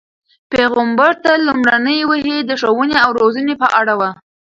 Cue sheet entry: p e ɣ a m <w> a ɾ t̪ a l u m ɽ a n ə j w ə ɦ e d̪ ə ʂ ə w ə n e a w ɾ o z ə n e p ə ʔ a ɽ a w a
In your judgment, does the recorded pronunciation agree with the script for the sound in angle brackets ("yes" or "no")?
no